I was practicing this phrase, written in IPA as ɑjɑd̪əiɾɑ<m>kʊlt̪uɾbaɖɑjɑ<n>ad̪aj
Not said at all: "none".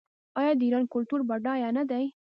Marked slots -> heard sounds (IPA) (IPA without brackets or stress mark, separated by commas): n, n